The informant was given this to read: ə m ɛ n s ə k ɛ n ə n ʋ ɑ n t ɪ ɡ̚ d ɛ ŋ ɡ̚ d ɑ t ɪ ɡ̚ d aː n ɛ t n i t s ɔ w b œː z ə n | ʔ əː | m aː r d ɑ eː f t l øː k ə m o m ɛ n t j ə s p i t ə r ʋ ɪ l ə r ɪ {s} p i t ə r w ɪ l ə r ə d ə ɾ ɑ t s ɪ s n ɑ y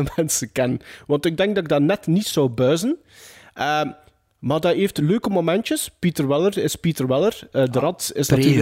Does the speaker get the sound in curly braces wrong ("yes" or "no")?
no